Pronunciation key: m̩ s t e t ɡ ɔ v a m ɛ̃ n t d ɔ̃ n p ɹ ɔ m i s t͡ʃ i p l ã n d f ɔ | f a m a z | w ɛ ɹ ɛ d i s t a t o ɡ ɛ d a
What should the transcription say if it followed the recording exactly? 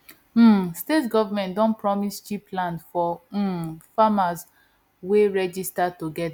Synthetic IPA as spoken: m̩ s t e t ɡ ɔ v a m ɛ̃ n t d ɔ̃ n p ɹ ɔ m i s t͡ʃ i p l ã n d f ɔ | f a m a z | w e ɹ ɛ d͡ʒ i s t a t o ɡ ɛ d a